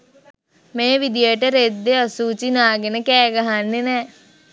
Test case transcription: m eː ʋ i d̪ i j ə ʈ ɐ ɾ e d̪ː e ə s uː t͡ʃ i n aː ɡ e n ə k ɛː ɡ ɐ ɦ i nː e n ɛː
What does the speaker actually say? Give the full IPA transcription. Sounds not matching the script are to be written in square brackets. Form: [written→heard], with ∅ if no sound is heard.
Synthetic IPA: m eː ʋ i d̪ i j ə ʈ [ɐ→ə] ɾ e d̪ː e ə s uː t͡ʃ i n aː ɡ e n ə k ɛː ɡ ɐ ɦ [i→a] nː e n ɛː